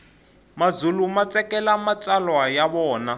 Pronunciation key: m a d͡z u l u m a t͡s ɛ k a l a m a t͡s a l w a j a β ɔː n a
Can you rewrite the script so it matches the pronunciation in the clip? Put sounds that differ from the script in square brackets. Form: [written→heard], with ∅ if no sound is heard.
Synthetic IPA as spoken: m a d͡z u l u m a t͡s ɛ k [a→ɛ] l a m a t͡s a l w a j a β ɔː n a